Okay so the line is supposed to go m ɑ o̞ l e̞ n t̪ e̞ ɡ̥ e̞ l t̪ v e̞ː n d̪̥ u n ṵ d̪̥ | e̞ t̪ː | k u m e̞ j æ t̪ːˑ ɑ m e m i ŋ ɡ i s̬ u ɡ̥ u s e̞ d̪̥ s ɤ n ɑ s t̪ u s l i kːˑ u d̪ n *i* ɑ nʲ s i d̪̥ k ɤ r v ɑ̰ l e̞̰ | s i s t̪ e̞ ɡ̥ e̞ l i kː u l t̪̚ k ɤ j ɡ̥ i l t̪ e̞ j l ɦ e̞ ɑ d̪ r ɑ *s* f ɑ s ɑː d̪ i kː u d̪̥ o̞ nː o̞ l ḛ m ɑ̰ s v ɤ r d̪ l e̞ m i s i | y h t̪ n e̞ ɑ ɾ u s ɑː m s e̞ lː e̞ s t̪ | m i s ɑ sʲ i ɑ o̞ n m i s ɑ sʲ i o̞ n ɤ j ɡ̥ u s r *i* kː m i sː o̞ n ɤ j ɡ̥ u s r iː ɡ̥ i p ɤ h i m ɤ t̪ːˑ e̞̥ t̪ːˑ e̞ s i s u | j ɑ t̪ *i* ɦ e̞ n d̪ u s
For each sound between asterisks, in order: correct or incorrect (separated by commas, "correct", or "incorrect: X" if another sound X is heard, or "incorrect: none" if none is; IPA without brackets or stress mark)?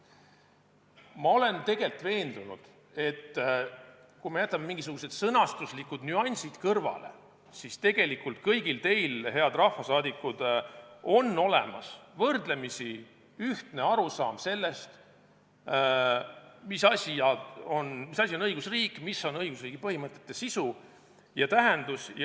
incorrect: y, incorrect: h, incorrect: iː, incorrect: æ